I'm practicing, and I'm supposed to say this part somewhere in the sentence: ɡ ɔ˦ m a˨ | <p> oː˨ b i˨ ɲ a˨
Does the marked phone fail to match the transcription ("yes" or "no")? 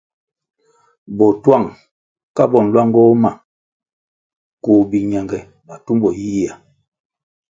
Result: yes